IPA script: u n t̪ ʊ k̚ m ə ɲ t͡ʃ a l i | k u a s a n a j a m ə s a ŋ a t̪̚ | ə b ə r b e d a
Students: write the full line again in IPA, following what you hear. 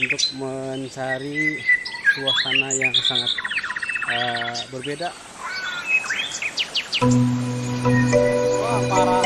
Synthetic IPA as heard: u n t̪ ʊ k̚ m ə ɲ t͡ʃ a ɾ i | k u a s a n a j a ŋ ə s a ŋ a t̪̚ | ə b ə r b e d a